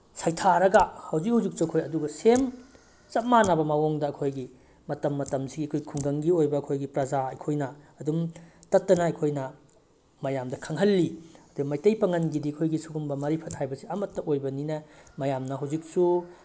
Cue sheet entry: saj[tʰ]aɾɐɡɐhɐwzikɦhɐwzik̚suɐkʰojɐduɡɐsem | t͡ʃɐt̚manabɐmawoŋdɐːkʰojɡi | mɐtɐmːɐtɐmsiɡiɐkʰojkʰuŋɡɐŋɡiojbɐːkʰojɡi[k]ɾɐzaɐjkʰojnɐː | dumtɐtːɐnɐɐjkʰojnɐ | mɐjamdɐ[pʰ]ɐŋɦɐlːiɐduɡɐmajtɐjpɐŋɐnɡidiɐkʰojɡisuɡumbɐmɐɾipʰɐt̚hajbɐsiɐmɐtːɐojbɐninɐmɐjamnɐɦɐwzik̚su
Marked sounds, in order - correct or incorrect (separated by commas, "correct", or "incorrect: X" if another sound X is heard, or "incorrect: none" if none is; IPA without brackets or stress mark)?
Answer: correct, incorrect: p, incorrect: kʰ